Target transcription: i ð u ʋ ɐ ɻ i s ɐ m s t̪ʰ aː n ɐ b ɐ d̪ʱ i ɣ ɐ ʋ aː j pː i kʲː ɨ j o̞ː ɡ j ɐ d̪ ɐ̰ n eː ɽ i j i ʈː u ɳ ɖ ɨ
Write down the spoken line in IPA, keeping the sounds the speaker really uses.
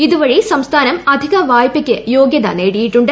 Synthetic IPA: i ð u ʋ ɐ ɻ i s ɐ m s t̪ʰ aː n ɐ m ɐ d̪ʱ i ɣ ɐ ʋ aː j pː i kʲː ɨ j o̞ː ɡ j ɐ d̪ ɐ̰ n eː ɽ i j i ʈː u ɳ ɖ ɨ